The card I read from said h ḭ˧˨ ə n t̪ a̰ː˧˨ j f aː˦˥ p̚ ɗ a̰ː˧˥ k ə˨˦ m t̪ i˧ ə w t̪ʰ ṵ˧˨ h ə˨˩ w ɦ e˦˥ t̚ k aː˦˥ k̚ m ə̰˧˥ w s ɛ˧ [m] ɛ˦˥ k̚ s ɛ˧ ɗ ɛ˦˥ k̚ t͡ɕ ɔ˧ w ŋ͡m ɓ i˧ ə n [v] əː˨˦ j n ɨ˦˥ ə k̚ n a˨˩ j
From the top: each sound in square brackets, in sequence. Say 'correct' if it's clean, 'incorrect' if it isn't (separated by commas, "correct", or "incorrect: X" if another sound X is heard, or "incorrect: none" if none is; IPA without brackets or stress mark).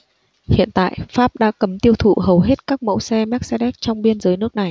correct, incorrect: z